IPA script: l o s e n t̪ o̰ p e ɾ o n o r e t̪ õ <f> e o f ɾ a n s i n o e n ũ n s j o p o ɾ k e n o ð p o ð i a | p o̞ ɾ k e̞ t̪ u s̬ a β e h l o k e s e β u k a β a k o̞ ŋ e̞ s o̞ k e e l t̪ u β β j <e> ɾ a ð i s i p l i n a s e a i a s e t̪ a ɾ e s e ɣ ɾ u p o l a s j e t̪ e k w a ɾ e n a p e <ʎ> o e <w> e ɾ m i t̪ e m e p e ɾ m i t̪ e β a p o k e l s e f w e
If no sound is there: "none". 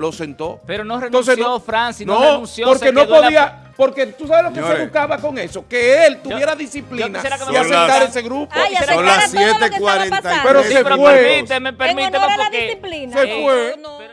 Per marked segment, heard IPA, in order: s, e, ɾ, w

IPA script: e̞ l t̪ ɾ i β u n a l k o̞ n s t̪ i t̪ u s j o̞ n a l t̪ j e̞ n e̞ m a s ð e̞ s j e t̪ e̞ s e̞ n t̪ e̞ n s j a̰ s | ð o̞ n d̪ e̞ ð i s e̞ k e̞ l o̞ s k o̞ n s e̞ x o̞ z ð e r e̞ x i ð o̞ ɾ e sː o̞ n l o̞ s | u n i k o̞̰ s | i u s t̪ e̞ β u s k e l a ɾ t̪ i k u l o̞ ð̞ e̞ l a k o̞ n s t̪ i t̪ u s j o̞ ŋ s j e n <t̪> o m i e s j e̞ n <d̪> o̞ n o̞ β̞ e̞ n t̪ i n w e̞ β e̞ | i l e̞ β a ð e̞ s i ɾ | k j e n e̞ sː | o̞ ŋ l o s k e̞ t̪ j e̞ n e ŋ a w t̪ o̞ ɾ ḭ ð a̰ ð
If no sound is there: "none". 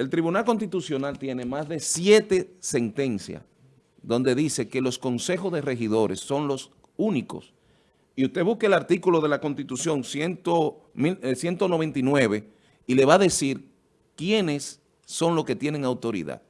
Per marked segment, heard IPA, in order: t̪, t̪

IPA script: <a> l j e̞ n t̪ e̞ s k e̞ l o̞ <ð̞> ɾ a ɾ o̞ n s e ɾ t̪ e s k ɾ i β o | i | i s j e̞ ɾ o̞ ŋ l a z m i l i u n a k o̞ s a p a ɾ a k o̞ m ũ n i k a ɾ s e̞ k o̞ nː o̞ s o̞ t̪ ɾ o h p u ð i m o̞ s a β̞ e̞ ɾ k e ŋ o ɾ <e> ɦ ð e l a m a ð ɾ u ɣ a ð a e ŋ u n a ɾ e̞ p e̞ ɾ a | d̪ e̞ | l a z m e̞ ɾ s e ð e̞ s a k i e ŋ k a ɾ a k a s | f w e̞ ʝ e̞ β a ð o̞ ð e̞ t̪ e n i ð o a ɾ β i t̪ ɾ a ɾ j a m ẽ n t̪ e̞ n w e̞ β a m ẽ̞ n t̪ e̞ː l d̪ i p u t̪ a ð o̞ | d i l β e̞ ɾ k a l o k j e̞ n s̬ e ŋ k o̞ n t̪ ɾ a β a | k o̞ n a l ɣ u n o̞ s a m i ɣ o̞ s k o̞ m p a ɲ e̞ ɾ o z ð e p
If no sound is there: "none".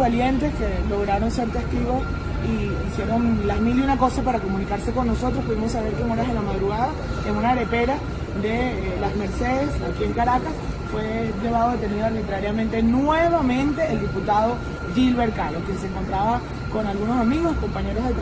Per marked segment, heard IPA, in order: a, ɣ̞, a

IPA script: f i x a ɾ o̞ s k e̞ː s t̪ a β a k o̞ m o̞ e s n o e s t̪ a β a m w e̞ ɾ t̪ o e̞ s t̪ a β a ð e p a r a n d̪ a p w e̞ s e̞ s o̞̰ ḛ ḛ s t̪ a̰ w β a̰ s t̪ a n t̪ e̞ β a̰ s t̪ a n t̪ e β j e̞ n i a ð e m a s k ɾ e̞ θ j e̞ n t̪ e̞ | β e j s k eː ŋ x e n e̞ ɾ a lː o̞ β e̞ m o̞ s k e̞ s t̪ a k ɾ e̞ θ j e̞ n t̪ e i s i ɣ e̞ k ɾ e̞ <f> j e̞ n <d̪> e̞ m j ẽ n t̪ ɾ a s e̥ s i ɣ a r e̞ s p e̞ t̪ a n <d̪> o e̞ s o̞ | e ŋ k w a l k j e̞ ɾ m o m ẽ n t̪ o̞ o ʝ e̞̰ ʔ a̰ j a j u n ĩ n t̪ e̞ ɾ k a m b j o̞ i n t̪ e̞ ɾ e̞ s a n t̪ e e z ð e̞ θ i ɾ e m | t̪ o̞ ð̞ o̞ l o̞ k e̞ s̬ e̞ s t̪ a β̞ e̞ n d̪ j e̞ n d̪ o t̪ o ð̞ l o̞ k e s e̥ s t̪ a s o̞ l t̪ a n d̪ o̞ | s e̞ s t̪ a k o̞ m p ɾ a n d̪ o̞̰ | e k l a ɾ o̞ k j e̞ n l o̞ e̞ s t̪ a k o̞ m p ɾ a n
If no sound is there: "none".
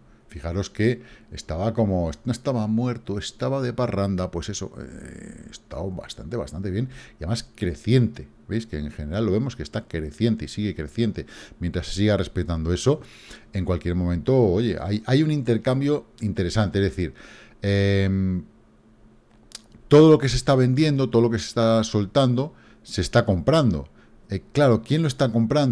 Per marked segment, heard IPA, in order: θ, t̪, d̪

